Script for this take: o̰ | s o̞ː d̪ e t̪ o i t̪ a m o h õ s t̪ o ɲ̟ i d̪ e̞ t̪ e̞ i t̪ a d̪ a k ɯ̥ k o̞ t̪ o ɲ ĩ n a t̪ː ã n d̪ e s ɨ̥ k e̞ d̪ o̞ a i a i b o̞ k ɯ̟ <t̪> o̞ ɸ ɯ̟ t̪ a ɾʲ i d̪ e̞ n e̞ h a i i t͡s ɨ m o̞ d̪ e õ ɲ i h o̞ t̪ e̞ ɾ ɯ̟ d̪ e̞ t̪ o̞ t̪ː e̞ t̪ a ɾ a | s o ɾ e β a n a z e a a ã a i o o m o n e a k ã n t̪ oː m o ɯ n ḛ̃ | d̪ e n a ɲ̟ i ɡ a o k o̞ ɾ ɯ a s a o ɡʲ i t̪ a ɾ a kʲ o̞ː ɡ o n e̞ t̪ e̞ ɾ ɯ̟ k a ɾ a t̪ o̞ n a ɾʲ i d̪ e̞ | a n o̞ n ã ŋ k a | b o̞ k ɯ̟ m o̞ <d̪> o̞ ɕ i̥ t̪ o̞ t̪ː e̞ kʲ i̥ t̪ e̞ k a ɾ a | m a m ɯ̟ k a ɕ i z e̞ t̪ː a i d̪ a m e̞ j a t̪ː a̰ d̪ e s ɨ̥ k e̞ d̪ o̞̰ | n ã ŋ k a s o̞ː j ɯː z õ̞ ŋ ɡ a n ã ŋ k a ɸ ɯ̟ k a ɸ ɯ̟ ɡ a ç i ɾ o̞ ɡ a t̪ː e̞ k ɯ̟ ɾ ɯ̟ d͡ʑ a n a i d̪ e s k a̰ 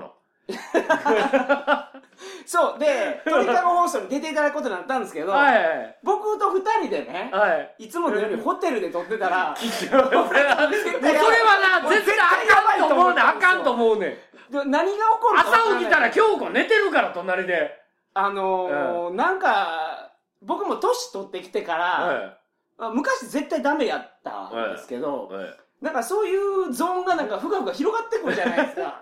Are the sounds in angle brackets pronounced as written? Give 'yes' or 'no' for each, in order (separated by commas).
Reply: yes, no